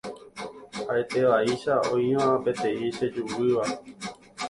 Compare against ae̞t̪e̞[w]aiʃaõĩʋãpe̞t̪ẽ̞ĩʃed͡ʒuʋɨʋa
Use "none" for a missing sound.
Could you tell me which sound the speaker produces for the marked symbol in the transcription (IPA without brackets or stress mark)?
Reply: ʋ